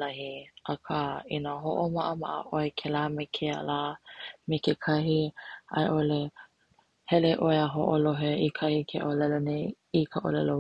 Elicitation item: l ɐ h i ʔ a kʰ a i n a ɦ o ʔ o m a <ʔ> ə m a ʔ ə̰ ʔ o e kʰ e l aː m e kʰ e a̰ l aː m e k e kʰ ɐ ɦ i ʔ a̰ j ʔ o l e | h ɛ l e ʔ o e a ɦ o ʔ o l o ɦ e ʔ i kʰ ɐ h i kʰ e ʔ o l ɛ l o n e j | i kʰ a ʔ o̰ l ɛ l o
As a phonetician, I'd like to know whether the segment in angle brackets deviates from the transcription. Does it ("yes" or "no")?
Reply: no